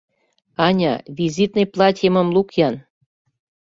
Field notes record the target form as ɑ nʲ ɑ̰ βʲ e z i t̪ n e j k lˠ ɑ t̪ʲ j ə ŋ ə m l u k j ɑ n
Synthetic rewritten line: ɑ nʲ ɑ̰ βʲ i z i t̪ n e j p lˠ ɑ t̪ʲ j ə m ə m l u k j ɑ n